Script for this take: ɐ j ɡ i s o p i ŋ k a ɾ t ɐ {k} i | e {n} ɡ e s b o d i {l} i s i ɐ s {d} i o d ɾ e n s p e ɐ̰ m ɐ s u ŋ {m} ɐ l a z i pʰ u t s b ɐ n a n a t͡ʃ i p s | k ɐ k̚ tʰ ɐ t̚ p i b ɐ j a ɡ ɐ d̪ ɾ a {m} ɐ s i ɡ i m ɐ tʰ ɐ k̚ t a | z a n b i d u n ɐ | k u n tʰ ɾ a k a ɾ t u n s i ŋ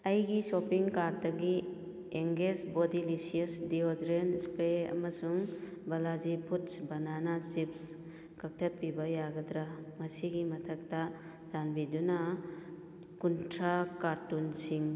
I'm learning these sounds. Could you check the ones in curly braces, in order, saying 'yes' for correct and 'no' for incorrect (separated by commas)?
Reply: no, no, yes, yes, no, yes